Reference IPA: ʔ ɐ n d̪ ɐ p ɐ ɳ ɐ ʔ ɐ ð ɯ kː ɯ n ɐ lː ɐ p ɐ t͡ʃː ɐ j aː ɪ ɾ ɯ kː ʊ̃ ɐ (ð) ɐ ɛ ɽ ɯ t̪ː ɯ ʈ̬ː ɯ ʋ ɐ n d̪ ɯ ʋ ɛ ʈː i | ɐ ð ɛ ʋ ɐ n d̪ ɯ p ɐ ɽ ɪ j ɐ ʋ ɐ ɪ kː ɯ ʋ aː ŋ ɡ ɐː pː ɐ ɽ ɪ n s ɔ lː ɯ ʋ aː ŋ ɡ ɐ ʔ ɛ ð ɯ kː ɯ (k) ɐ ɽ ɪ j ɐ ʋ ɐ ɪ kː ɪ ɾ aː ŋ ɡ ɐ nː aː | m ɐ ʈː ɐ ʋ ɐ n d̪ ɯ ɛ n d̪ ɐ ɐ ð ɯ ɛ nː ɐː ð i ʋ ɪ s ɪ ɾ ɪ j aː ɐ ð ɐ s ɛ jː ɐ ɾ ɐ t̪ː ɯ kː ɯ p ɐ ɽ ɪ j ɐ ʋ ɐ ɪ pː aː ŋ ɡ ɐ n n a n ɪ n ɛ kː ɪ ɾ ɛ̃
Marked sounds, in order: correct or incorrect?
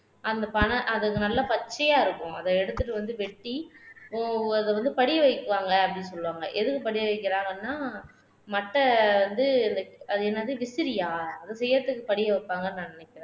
correct, incorrect: p

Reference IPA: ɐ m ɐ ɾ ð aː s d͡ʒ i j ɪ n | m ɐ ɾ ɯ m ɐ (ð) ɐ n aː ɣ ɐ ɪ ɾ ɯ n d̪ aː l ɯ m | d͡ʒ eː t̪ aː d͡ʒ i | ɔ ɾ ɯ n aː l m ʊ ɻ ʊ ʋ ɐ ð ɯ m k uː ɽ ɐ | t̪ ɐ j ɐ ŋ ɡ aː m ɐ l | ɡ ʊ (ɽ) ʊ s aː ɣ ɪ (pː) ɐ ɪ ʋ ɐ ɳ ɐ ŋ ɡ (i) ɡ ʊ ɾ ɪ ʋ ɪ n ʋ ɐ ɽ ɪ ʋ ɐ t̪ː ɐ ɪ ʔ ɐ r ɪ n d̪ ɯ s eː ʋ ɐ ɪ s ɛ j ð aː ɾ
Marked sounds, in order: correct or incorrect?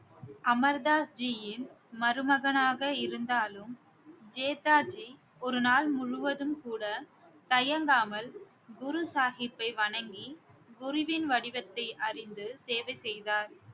incorrect: ɣ, incorrect: ɾ, correct, correct

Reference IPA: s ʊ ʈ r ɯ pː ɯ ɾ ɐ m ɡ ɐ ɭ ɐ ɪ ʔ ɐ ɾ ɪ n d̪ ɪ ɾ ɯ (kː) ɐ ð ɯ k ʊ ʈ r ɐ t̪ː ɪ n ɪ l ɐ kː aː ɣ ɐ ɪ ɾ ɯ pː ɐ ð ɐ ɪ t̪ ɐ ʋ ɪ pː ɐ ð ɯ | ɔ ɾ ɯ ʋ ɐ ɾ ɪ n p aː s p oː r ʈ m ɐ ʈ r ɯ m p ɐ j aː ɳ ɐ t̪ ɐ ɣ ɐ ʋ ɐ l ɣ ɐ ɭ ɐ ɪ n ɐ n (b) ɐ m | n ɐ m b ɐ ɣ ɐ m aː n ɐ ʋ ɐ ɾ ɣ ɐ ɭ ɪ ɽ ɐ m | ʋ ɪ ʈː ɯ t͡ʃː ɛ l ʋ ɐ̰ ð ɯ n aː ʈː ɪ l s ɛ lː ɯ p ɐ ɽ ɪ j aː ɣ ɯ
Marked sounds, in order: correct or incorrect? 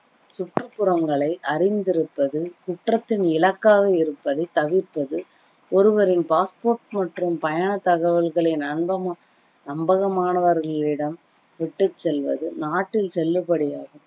incorrect: pː, correct

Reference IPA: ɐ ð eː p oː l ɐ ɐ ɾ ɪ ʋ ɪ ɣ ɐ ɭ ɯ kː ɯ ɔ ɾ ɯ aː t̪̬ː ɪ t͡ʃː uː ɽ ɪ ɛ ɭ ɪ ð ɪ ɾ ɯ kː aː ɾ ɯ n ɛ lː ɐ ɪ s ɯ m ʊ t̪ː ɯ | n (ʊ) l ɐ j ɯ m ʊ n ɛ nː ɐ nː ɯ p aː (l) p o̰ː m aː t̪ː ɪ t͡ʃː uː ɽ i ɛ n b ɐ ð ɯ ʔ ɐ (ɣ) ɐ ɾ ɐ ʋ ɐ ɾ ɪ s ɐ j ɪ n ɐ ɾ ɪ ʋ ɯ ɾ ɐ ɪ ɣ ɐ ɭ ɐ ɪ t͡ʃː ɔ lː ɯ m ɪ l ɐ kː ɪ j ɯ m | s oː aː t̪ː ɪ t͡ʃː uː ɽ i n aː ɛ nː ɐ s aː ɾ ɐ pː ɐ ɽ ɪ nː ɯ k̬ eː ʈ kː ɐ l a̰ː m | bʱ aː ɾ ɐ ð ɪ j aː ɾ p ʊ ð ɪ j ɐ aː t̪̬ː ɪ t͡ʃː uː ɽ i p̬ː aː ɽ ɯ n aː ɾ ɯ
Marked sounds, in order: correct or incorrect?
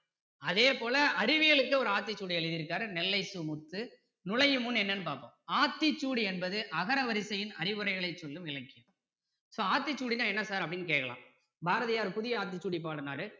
correct, incorrect: ɾ, correct

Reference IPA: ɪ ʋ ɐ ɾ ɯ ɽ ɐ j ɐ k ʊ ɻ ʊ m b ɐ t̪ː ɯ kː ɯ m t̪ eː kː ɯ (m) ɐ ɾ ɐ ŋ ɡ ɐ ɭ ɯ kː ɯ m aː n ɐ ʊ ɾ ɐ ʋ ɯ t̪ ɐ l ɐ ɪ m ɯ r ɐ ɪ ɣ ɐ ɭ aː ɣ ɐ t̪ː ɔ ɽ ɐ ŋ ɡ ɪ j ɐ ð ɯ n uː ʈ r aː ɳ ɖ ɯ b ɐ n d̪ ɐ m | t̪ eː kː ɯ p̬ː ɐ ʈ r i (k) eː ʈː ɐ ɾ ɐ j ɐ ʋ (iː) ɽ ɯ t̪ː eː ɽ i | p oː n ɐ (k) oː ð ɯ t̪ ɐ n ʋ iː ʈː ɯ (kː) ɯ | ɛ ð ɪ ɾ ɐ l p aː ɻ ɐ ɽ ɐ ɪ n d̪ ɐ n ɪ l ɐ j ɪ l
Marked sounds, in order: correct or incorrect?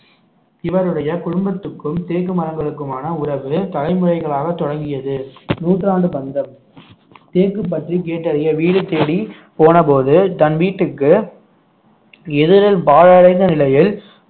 correct, correct, correct, incorrect: p, correct

